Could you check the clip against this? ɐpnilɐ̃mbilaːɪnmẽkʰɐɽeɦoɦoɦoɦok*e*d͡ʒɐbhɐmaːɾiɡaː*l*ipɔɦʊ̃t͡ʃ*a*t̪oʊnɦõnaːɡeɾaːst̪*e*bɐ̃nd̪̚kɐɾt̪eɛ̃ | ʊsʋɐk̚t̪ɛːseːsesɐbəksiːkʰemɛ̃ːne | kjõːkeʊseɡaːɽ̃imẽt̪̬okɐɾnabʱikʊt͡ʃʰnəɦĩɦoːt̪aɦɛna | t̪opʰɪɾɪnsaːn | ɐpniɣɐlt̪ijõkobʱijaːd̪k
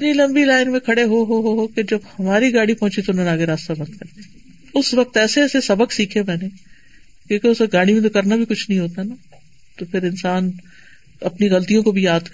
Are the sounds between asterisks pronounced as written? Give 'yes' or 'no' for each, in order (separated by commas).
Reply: yes, no, no, no